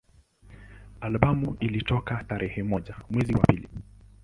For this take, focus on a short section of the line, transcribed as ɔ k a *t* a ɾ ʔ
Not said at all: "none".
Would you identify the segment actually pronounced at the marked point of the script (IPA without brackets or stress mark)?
t